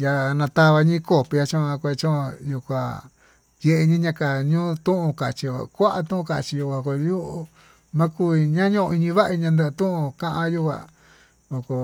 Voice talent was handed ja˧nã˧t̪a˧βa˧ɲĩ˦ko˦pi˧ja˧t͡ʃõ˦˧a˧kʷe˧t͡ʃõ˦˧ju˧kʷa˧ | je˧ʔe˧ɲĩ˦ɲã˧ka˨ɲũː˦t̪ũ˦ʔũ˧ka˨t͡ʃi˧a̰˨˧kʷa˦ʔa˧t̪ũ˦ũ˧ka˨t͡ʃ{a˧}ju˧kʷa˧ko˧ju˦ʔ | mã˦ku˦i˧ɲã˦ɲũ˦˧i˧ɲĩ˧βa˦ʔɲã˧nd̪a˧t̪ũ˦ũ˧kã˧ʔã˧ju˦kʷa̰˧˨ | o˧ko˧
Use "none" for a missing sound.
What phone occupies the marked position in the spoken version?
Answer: i˧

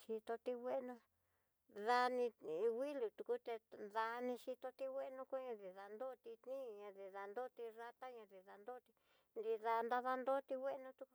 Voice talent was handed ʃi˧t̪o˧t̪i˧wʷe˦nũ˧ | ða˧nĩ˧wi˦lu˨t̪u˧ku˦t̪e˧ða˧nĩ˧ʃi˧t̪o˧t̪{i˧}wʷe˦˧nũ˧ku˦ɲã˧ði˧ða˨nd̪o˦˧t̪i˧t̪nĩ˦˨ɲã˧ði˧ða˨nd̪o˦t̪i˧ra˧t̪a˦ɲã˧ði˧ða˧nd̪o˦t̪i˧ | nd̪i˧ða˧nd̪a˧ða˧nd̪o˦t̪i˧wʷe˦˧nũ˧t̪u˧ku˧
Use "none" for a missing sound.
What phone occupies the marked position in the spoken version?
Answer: i˧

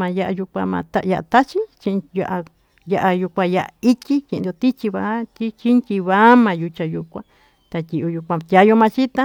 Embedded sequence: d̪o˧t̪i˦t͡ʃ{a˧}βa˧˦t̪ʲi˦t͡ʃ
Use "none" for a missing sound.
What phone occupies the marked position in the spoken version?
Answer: i˧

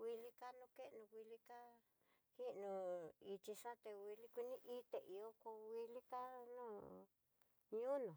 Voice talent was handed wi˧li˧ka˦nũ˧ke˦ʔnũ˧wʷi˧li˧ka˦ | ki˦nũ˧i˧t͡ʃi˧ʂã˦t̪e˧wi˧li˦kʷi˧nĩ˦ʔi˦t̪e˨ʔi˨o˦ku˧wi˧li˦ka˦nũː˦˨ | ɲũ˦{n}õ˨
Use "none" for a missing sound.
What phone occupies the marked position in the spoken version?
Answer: n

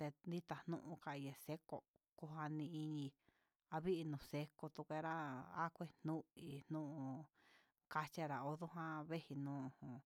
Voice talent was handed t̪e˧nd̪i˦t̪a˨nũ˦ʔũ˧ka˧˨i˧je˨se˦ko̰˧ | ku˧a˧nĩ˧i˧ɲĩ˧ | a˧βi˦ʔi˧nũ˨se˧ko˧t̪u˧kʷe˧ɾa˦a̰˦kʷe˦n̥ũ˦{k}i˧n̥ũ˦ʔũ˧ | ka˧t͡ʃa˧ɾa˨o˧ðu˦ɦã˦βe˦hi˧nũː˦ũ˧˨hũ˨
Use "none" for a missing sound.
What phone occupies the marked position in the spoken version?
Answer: none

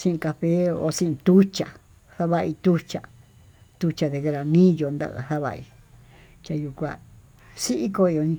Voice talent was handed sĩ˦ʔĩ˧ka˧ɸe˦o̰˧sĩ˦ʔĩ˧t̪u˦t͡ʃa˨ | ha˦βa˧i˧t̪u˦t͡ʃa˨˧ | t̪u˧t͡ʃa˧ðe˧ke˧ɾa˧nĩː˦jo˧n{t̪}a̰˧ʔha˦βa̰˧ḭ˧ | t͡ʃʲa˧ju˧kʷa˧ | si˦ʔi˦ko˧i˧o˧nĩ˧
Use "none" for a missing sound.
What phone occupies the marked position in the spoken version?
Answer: d̪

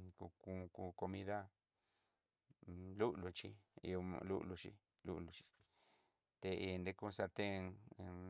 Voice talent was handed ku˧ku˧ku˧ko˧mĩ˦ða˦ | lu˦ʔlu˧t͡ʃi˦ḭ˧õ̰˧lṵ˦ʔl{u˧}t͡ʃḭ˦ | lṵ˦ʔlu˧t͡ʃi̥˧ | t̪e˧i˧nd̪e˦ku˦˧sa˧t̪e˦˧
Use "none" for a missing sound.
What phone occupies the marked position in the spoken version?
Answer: u˧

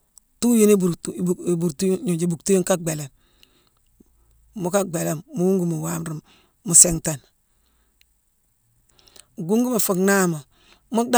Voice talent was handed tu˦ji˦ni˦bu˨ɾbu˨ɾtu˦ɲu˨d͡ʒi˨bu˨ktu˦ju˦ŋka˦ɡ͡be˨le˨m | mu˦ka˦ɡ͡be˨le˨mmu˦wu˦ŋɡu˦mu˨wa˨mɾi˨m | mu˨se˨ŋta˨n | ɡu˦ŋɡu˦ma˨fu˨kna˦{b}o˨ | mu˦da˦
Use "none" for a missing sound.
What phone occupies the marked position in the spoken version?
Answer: m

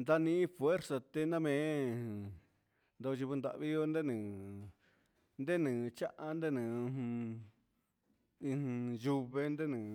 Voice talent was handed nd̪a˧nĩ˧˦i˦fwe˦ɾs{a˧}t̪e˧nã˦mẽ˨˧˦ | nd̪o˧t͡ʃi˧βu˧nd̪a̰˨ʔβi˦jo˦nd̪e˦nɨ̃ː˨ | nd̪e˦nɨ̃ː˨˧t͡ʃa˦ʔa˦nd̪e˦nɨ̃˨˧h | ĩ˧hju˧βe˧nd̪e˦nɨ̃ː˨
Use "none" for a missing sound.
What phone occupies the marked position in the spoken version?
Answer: a˧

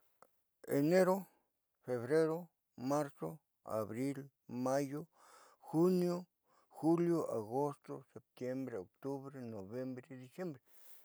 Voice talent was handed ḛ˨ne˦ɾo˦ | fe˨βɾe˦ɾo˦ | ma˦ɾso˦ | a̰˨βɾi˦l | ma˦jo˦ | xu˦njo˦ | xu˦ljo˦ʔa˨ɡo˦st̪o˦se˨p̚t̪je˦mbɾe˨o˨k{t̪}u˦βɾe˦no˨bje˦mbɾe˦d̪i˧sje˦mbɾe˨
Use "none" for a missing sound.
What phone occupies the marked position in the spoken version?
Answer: t̪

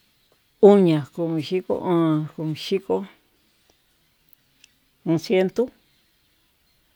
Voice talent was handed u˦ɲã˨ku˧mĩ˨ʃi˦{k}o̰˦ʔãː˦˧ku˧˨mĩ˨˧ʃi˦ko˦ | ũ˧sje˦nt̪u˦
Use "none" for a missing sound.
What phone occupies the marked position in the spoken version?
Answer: k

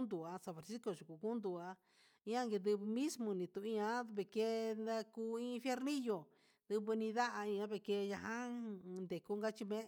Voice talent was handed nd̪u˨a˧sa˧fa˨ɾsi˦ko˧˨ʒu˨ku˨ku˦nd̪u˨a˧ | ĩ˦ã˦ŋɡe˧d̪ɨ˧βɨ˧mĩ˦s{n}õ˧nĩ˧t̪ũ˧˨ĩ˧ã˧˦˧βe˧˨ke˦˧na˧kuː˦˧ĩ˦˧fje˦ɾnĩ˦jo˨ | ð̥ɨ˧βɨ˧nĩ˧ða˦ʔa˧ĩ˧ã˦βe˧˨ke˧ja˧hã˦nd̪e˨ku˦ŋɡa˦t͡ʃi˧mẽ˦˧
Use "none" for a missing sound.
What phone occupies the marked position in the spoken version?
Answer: m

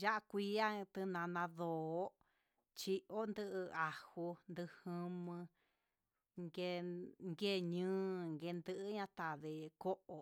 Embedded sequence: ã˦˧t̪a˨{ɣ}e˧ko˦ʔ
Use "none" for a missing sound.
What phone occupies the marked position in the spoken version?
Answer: ð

